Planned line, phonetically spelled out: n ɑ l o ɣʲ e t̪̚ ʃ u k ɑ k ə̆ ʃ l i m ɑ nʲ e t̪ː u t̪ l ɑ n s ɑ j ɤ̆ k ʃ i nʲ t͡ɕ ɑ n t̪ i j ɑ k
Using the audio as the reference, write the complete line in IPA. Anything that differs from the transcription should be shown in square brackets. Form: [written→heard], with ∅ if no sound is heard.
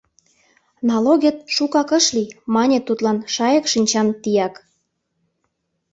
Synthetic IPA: n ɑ l o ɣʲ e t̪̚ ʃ u k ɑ k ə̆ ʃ l i m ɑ nʲ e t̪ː u t̪ l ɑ n [s→ʃ] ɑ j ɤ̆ k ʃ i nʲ t͡ɕ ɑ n t̪ i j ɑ k